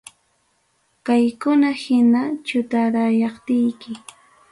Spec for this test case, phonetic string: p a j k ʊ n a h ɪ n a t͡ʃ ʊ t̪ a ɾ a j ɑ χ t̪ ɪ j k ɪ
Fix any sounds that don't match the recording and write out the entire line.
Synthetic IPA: k a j k ʊ n a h ɪ n a t͡ʃ ʊ t̪ a ɾ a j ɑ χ t̪ ɪ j k ɪ